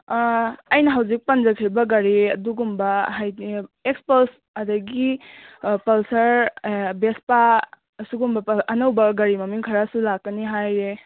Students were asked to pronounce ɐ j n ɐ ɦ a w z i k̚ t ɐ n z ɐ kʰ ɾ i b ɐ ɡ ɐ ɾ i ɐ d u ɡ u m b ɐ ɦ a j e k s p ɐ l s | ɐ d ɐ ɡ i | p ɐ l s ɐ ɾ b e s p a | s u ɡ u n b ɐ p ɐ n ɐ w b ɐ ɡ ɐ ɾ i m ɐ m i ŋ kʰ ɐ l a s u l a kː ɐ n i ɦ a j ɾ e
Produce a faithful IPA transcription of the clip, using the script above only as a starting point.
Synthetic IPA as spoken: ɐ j n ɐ ɦ a w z i k̚ p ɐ n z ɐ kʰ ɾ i b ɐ ɡ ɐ ɾ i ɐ d u ɡ u m b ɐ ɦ a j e k s p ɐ l s | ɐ d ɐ ɡ i | p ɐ l s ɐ ɾ b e s p a | s u ɡ u m b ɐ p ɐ n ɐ w b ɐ ɡ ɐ ɾ i m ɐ m i ŋ kʰ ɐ ɾ a s u l a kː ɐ n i ɦ a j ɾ e